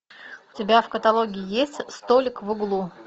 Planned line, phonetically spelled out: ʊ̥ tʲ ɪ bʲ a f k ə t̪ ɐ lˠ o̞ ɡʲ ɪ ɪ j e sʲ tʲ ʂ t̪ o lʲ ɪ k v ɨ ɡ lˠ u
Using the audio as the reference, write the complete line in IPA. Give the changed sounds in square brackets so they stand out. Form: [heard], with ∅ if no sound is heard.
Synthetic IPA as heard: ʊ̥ tʲ ɪ bʲ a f k ə t̪ ɐ lˠ o̞ ɡʲ ɪ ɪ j e sʲ tʲ [s] t̪ o lʲ ɪ k v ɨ ɡ lˠ u